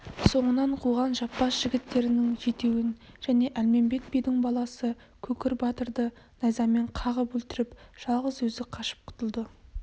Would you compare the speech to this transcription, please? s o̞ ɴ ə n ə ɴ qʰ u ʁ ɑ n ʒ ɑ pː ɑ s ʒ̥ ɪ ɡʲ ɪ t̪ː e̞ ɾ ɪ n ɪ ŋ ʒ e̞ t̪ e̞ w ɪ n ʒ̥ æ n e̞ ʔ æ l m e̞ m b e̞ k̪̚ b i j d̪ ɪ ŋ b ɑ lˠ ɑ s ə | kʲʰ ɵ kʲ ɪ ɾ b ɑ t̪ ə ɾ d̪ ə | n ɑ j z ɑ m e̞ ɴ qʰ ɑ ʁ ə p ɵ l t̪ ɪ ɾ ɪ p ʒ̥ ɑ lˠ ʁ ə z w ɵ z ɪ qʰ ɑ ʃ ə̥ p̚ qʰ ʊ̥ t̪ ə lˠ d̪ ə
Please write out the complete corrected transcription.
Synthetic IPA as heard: s o̞ ɴ ə n ɑ ɴ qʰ u ʁ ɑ n ʒ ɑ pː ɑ s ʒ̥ ɪ ɡʲ ɪ t̪ː e̞ ɾ ɪ n ɪ ŋ ʒ e̞ t̪ e̞ w ɪ n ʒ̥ æ n e̞ ʔ æ l m e̞ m b e̞ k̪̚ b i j d̪ ɪ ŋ b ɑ lˠ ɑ s ə | kʲʰ ɵ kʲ ɪ ɾ b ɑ t̪ ə ɾ d̪ ə | n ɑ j z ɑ m e̞ ɴ qʰ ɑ ʁ ə p ɵ l t̪ ɪ ɾ ɪ p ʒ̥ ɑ lˠ ʁ ə z w ɵ z ɪ qʰ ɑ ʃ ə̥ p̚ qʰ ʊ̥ t̪ ə lˠ d̪ ə

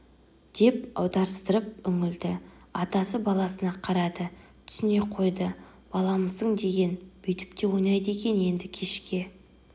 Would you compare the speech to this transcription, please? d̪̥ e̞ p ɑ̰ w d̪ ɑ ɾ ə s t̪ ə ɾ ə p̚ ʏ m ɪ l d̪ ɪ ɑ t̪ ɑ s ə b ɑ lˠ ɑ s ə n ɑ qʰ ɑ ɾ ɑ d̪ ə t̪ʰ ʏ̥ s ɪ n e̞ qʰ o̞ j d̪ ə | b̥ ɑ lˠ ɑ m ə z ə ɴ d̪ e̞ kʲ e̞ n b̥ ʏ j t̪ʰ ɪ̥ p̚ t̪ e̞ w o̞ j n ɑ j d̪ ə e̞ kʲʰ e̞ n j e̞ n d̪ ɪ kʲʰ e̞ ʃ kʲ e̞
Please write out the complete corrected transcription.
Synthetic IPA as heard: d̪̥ e̞ p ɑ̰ w d̪ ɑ ɾ ə s t̪ ə ɾ ə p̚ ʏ ŋ ɪ l d̪ ɪ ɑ t̪ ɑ s ə b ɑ lˠ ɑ s ə n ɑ qʰ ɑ ɾ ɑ d̪ ə t̪ʰ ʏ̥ s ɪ n e̞ qʰ o̞ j d̪ ə | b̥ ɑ lˠ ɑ m ə z ə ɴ d̪ e̞ ɡʲ e̞ n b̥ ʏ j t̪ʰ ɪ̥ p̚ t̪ e̞ w o̞ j n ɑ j d̪ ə e̞ kʲ e̞ n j e̞ n d̪ ɪ kʲʰ e̞ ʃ kʲ e̞

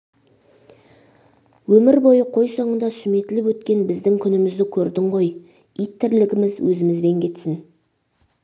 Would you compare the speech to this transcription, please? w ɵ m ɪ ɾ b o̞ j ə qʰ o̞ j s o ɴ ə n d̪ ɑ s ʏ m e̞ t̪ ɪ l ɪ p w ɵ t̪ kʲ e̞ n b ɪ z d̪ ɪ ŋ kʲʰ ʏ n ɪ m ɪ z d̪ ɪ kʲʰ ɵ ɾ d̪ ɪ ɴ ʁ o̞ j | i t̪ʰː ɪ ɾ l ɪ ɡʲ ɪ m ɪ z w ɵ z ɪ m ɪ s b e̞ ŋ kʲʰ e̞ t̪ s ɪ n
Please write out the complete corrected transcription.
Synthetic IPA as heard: w ɵ m ɪ ɾ b o̞ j ə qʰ o̞ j s o ɴ ə n d̪ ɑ s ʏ m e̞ t̪ ɪ l ɪ p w ɵ t̪ kʲ e̞ n b ɪ z d̪ ɪ ŋ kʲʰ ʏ n ɪ m ɪ z d̪ ɪ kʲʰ ɵ ɾ d̪ ɪ ɴ ʁ o̞ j | i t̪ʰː ɪ ɾ l ɪ ɡʲ ɪ m ɪ z w ɵ z ɪ m ɪ z b e̞ ŋ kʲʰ e̞ t̪ s ɪ n

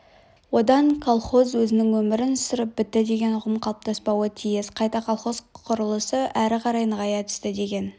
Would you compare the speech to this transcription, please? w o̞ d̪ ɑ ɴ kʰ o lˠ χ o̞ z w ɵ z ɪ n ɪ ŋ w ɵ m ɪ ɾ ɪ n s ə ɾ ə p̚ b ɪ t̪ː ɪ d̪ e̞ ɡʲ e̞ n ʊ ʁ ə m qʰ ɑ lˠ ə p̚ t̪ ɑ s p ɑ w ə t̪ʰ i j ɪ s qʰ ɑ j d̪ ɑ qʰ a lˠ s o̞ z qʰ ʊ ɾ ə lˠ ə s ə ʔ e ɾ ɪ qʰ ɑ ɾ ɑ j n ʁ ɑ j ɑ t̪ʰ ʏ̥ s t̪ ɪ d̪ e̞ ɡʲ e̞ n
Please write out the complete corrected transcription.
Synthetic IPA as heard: w o̞ d̪ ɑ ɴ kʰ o lˠ χ o̞ z w ɵ z ɪ n ɪ ŋ w ɵ m ɪ ɾ ɪ n s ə ɾ ə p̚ b ɪ t̪ː ɪ d̪ e̞ ɡʲ e̞ n ʊ ʁ ə m qʰ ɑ lˠ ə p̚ t̪ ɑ s p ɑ w ə t̪ʰ i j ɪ s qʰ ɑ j t̪ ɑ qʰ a lˠ χ o̞ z qʰ ʊ ɾ ə lˠ ə s ə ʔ æ ɾ ɪ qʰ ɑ ɾ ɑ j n ʁ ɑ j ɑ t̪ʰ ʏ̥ s t̪ ɪ d̪ e̞ ɡʲ e̞ n

